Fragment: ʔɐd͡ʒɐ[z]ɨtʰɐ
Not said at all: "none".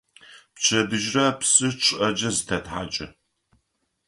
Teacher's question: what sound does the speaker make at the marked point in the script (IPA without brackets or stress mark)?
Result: z